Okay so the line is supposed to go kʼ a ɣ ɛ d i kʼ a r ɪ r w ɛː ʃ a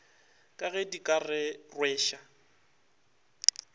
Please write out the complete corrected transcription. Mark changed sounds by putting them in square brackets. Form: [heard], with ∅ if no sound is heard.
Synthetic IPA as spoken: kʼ a ɣ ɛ d i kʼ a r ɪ r w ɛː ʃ a